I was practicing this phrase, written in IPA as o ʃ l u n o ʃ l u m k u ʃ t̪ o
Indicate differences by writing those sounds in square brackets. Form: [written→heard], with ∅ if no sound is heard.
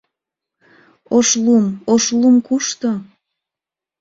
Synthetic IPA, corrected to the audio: o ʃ l u [n→m] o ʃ l u m k u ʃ t̪ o